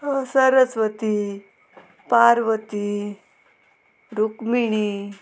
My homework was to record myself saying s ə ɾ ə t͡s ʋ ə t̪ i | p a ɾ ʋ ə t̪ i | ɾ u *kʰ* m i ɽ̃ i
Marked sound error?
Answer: yes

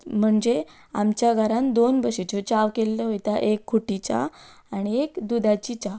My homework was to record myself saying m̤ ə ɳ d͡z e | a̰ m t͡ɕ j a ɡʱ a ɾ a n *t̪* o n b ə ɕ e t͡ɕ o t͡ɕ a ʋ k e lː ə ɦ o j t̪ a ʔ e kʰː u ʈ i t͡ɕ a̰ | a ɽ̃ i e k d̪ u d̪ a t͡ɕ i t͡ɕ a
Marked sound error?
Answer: yes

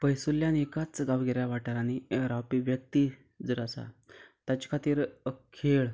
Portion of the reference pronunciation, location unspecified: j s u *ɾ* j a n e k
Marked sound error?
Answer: yes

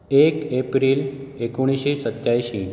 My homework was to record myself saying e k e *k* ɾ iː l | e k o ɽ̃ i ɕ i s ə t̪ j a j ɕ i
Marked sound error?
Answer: yes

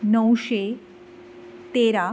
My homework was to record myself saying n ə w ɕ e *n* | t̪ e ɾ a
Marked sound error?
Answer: yes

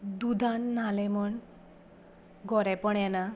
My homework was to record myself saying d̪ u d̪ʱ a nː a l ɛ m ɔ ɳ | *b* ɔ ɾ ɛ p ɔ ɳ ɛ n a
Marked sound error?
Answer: yes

